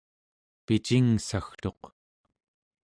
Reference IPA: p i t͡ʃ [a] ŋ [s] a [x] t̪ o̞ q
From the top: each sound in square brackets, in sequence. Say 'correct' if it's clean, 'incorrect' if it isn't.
incorrect, correct, correct

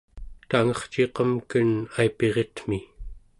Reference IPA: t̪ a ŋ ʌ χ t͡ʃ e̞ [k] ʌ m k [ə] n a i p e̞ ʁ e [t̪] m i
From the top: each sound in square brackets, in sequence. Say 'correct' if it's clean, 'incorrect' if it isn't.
incorrect, correct, correct

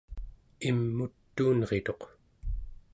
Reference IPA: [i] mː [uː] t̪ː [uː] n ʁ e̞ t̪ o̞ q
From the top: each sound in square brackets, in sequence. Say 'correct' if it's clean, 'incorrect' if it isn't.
correct, incorrect, correct

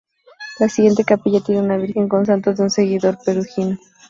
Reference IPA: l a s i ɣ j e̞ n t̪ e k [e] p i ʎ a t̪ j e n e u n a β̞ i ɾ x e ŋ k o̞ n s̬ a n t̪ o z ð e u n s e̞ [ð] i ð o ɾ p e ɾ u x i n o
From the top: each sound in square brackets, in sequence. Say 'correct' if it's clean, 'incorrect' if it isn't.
incorrect, incorrect

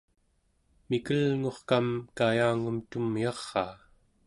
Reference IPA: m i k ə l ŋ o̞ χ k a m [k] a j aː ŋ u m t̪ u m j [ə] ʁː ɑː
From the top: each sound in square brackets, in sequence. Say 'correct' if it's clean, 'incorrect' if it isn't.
correct, incorrect

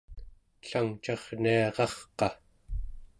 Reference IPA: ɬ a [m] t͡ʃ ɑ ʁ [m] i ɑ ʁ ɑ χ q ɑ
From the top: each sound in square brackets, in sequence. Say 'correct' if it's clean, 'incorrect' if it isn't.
incorrect, incorrect

